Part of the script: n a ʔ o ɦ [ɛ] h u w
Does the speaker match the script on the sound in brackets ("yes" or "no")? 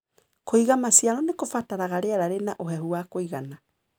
yes